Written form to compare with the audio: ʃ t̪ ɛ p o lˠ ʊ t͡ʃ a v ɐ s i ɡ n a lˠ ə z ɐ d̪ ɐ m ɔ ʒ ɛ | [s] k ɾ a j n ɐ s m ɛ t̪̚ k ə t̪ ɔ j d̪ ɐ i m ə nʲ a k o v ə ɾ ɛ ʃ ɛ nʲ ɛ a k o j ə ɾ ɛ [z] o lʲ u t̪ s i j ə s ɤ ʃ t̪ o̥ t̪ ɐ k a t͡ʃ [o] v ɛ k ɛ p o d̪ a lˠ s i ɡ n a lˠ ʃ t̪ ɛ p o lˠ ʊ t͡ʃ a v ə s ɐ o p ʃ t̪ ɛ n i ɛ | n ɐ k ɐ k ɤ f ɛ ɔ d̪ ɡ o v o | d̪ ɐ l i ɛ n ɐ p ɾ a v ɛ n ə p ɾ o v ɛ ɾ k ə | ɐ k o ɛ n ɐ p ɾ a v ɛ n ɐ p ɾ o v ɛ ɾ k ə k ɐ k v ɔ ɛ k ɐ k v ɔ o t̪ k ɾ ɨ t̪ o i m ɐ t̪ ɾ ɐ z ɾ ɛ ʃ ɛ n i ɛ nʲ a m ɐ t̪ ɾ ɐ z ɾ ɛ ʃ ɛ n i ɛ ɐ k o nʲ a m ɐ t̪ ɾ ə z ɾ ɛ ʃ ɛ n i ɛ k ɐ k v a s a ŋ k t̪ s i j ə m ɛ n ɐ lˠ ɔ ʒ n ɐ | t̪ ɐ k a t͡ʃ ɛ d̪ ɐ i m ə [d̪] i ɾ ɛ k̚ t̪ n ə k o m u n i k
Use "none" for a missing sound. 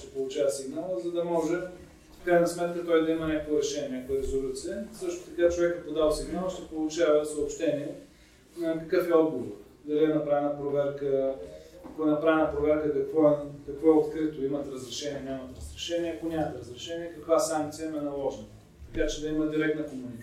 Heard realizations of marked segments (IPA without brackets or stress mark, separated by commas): f, z, o, d̪